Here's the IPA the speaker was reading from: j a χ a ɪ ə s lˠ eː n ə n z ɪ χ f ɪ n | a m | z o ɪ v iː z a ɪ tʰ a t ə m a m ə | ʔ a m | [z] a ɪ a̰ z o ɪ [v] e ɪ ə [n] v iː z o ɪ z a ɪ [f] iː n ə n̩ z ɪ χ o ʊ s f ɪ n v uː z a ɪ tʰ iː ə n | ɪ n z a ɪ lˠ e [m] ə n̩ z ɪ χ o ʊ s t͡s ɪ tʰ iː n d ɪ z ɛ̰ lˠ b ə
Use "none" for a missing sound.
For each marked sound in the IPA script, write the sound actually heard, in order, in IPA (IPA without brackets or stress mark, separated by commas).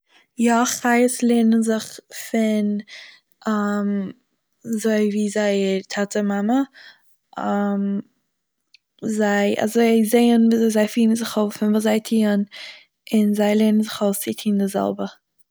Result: z, z, n, f, n